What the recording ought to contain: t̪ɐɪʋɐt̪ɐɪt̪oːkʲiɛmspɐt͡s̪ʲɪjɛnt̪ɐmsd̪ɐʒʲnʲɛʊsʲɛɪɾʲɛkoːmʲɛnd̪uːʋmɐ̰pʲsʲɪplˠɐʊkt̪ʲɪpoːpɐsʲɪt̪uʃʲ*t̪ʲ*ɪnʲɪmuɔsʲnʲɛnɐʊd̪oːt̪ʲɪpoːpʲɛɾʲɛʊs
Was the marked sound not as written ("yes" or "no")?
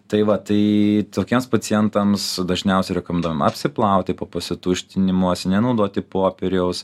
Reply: no